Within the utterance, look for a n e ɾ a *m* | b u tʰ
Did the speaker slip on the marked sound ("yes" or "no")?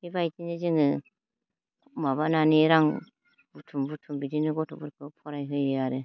yes